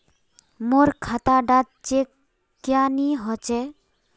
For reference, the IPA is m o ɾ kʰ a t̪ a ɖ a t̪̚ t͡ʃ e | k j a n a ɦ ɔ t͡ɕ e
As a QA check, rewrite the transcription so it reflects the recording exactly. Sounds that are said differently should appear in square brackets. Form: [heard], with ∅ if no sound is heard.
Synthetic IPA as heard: m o ɾ kʰ a t̪ a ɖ a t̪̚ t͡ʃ e | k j a n [i] ɦ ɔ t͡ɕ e